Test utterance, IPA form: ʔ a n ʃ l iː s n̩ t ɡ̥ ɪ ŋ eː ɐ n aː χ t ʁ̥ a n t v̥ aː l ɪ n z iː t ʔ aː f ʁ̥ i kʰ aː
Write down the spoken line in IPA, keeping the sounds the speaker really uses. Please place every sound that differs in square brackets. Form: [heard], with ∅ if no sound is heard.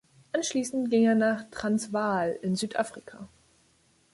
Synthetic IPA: ʔ a n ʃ l iː s n̩ t ɡ̥ ɪ ŋ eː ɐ n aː χ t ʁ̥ a n [s] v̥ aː l ɪ n z [yː] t ʔ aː f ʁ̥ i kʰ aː